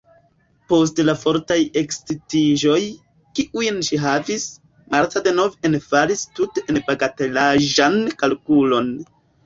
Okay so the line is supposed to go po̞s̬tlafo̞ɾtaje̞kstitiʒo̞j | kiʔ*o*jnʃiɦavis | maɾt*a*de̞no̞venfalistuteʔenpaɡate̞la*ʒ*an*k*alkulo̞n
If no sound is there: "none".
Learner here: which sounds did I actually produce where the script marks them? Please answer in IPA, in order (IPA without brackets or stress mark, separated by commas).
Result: u, a, ʒ, k